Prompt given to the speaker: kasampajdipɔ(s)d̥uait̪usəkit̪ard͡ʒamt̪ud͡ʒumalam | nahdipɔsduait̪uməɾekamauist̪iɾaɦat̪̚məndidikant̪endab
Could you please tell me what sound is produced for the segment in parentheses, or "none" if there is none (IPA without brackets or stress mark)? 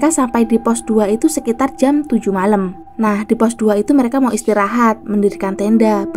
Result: s